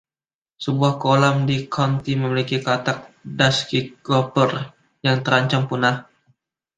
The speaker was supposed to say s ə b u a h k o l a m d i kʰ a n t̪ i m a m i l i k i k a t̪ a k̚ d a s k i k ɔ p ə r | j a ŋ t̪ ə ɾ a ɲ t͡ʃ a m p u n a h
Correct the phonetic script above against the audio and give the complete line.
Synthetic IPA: s ə b u a h k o l a m d i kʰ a n t̪ i m ə m i l i k i k a t̪ a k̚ d a s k i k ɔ p ə r | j a ŋ t̪ ə ɾ a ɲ t͡ʃ a m p u n a h